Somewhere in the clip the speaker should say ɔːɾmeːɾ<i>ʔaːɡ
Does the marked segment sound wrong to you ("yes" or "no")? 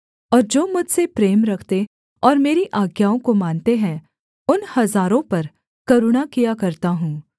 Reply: no